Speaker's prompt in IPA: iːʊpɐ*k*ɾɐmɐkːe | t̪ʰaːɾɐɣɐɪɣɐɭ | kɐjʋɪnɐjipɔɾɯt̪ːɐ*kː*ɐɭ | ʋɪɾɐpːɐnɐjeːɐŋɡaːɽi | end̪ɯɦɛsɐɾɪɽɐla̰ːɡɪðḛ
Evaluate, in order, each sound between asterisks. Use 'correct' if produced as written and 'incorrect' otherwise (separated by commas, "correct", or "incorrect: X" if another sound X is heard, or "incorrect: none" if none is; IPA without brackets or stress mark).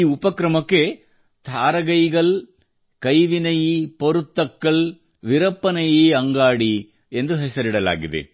correct, correct